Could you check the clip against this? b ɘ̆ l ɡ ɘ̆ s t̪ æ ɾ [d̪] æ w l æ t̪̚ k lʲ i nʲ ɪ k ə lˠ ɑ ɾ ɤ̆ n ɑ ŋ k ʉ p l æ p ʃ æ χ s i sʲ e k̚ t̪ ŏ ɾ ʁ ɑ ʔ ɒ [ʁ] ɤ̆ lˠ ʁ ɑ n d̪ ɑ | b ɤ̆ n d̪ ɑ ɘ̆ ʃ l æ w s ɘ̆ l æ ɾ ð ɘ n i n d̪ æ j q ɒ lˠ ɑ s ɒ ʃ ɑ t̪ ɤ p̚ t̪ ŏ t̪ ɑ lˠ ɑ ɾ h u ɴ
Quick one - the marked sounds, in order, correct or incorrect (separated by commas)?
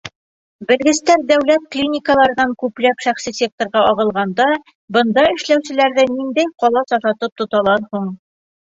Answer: correct, correct